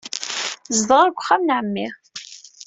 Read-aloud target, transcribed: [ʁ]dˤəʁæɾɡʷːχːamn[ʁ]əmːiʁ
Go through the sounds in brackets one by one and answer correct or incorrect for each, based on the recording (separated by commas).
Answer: incorrect, incorrect